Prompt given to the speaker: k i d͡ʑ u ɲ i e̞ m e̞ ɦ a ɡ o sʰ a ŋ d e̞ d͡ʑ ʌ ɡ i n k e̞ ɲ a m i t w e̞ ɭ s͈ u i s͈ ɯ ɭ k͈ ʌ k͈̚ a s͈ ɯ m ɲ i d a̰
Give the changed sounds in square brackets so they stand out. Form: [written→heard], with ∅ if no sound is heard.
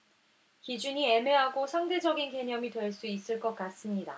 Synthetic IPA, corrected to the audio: k i d͡ʑ u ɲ i e̞ m e̞ ɦ a ɡ o sʰ a ŋ d e̞ d͡ʑ ʌ ɡ i n k e̞ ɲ [a→ʌ] m i t w e̞ ɭ s͈ u i s͈ ɯ ɭ k͈ ʌ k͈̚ a s͈ ɯ m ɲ i d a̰